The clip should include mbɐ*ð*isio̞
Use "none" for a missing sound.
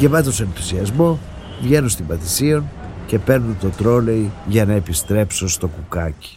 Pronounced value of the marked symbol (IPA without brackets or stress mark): θ